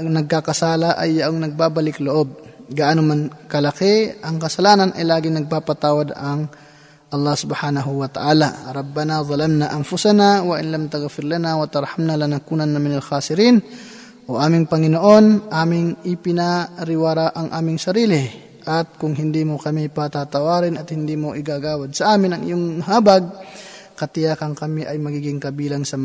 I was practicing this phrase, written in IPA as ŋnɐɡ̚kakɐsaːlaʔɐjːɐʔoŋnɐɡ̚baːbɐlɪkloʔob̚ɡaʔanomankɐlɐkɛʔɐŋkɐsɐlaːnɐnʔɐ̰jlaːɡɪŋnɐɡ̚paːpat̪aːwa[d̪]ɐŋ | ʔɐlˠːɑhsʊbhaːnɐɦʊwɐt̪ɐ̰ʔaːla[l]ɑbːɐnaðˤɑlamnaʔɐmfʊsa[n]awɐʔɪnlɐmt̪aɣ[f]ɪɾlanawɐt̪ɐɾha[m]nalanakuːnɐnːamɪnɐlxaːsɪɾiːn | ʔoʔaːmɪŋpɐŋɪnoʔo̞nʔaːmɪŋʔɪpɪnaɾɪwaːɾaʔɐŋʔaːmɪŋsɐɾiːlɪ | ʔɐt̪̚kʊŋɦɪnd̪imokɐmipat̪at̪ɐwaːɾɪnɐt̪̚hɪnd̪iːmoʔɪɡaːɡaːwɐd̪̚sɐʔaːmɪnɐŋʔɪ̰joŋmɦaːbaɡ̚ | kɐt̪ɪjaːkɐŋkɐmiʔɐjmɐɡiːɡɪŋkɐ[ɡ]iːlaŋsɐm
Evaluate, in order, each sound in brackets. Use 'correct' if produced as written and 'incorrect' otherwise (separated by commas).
correct, incorrect, correct, correct, correct, incorrect